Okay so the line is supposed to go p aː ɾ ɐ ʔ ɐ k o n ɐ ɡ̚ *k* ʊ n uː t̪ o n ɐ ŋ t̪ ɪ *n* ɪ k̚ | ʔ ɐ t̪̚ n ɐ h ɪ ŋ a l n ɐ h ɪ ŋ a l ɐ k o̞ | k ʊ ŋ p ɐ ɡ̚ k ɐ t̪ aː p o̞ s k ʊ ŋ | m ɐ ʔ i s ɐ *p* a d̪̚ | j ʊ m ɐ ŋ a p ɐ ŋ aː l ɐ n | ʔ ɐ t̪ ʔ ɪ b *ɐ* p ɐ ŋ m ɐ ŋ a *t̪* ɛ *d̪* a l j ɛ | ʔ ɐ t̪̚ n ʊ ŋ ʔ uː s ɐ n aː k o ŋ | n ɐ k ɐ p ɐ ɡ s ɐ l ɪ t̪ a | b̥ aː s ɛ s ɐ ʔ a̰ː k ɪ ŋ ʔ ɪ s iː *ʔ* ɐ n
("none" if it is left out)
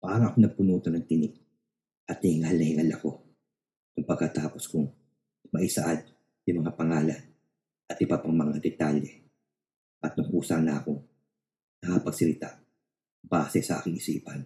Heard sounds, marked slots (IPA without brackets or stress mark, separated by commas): p, n, ʔ, a, d̪, t̪, p